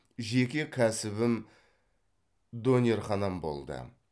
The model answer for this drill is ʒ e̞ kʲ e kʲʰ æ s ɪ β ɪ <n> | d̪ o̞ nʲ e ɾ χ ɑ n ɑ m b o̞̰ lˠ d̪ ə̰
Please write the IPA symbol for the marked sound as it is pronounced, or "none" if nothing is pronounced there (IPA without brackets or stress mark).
m